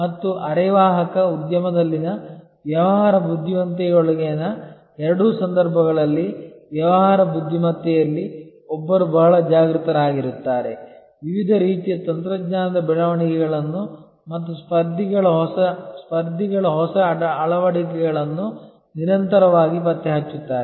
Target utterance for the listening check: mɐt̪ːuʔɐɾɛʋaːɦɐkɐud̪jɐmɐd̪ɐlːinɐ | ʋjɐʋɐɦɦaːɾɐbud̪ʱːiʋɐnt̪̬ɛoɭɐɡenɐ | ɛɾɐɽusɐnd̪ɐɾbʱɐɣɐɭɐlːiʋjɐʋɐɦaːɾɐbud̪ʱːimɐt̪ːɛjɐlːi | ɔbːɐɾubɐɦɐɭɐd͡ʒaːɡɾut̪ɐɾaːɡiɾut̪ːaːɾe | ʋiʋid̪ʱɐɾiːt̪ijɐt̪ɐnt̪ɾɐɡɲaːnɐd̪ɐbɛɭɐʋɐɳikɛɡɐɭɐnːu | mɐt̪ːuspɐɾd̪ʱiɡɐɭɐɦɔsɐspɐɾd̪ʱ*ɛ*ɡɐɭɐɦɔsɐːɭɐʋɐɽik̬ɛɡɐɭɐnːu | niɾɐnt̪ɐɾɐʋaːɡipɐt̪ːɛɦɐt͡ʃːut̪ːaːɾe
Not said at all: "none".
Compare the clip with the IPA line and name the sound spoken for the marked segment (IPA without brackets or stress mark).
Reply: i